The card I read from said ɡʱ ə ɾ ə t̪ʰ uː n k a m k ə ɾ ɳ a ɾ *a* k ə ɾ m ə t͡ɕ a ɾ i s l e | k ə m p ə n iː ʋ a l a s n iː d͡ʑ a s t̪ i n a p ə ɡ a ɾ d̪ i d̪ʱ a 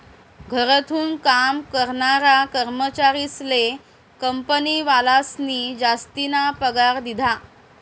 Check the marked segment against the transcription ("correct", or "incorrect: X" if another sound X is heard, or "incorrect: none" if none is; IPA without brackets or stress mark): correct